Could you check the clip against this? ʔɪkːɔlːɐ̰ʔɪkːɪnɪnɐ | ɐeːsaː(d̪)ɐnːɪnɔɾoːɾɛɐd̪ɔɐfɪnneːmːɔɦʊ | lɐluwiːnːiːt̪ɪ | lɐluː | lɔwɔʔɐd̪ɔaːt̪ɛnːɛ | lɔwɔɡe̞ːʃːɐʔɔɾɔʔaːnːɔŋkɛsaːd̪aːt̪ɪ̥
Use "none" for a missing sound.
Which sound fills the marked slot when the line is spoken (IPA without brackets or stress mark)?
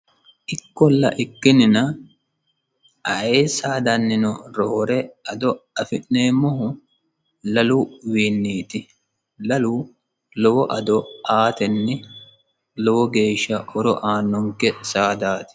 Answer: d̪